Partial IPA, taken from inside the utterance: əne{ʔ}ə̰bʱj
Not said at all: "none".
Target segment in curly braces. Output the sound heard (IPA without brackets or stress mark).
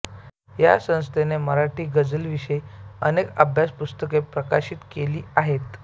k